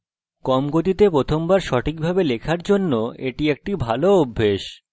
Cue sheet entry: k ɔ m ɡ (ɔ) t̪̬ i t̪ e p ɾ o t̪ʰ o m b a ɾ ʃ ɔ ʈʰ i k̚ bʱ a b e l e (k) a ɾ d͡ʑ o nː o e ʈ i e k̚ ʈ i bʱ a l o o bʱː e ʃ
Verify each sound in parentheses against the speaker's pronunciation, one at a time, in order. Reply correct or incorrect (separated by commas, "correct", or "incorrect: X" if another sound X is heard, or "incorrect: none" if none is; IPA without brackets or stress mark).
incorrect: o, incorrect: kʰ